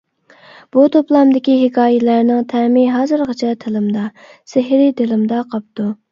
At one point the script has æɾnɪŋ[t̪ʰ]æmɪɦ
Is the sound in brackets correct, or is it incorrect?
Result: correct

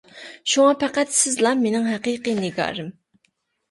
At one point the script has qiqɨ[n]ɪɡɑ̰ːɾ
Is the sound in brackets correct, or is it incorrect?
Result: correct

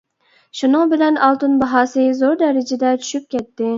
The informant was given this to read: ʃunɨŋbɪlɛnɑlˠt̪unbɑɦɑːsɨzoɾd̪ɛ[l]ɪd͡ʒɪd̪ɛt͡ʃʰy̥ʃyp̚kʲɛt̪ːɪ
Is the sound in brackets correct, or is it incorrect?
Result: incorrect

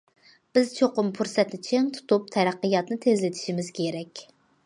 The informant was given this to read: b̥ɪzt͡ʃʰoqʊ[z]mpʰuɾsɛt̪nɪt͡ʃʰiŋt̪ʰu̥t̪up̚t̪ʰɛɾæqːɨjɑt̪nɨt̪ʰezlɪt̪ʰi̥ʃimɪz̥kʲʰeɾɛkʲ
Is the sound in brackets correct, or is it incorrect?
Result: incorrect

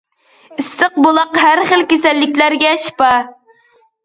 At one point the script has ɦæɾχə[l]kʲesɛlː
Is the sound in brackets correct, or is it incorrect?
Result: correct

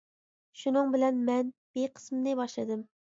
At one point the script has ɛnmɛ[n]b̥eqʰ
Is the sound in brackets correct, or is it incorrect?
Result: correct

